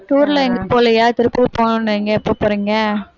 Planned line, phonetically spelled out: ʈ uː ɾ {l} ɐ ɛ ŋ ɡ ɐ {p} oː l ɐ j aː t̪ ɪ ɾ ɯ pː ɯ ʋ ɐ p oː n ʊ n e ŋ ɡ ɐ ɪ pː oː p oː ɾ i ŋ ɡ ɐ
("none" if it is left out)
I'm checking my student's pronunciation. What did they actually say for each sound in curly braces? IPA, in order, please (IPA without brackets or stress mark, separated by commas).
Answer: l, p